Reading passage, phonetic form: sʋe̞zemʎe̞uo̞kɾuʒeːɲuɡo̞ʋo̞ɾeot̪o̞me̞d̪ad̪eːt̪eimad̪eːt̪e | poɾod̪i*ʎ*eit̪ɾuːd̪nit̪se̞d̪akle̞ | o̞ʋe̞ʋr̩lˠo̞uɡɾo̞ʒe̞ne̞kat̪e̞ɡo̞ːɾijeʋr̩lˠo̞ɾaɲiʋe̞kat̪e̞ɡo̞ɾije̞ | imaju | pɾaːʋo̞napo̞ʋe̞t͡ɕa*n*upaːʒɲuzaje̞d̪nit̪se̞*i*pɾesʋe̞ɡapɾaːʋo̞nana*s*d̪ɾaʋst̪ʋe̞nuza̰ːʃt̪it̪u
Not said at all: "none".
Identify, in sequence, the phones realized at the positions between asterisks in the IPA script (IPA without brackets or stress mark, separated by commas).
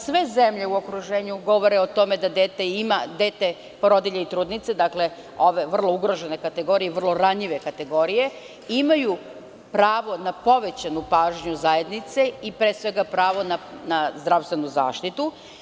ʎ, n, i, z